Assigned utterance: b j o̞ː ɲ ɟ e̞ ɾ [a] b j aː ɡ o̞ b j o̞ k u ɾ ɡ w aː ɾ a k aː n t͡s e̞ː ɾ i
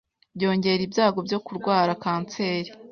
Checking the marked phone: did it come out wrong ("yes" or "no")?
yes